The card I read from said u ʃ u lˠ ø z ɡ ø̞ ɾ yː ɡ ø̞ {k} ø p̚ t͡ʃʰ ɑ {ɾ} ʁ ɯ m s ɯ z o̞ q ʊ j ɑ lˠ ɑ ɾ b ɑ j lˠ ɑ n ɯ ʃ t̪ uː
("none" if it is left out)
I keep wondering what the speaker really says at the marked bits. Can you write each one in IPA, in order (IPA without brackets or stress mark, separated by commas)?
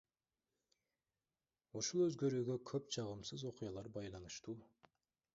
kʰ, none